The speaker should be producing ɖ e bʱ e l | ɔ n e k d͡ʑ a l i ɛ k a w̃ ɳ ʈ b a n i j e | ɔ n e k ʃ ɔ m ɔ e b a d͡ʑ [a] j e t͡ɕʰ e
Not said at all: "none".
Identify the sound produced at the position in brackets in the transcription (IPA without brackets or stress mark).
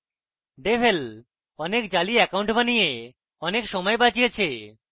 i